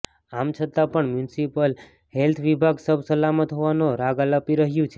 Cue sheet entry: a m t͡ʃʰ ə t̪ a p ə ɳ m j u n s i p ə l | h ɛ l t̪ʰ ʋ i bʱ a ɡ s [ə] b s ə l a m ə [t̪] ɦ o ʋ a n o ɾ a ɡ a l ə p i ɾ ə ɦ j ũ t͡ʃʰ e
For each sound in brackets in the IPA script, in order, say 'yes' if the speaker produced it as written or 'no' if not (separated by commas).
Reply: yes, yes